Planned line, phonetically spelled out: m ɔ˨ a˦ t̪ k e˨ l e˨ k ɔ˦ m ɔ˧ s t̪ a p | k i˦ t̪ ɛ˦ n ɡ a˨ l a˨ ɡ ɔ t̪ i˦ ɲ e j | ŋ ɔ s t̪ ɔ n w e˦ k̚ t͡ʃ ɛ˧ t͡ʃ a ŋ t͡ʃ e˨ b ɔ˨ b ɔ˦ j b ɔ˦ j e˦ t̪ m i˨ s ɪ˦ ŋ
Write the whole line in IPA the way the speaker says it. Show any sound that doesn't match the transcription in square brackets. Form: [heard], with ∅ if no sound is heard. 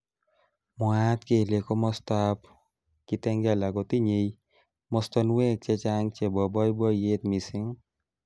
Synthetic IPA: m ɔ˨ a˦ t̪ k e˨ l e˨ k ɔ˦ m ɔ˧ s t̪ a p | k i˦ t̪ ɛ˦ [ŋ] ɡ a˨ l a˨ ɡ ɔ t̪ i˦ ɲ e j | [m] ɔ s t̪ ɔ n w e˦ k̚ t͡ʃ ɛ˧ t͡ʃ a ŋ t͡ʃ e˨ b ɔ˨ b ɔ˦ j b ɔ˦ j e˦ t̪ m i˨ s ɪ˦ ŋ